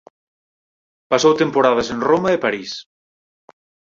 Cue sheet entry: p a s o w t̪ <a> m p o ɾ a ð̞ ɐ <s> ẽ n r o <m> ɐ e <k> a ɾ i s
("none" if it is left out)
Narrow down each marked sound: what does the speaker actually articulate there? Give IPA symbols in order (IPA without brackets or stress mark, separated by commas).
e, s, m, p